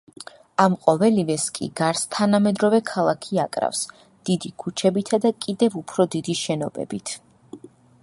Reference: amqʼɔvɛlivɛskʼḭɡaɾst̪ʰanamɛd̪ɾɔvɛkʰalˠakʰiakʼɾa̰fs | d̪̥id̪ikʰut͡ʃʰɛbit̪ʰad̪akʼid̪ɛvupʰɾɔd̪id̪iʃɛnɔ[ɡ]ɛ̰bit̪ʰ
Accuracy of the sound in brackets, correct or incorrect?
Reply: incorrect